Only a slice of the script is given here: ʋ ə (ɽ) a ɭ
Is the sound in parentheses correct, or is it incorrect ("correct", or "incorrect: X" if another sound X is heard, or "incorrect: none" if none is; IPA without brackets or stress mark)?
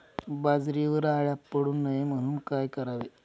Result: incorrect: ɾ